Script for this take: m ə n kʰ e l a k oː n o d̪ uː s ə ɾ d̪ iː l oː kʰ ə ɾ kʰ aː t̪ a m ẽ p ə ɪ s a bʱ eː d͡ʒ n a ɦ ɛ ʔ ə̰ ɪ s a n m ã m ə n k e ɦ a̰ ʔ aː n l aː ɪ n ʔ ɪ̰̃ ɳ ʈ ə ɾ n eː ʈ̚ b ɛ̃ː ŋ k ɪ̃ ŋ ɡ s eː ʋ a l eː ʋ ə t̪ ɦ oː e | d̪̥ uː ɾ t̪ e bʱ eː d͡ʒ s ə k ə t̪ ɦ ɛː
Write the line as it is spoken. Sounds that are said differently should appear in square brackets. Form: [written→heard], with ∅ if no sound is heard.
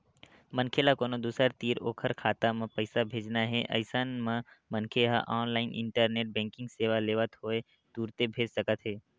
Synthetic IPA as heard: m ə n kʰ e l a k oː n o d̪ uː s ə ɾ [d̪→t̪] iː [l→ɾ] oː kʰ ə ɾ kʰ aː t̪ a m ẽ p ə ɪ s a bʱ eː d͡ʒ n a ɦ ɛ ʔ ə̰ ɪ s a n m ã m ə n [k→kʰ] e ɦ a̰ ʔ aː n l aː ɪ n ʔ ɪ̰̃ ɳ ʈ ə ɾ n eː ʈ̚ b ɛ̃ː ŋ k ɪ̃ ŋ ɡ s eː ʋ a l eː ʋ ə t̪ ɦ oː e | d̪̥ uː ɾ t̪ e bʱ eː d͡ʒ s ə k ə t̪ ɦ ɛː